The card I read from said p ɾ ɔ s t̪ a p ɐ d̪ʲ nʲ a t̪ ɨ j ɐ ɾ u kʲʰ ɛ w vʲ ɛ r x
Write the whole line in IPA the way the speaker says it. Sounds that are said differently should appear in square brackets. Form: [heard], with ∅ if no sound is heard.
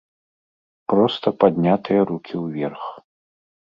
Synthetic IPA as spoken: p ɾ ɔ s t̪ [ɐ] p [a] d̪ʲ nʲ a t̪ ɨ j ɐ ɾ u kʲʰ [i] w vʲ ɛ r x